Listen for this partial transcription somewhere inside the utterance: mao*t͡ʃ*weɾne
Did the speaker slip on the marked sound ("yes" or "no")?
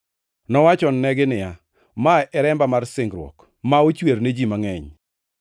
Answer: no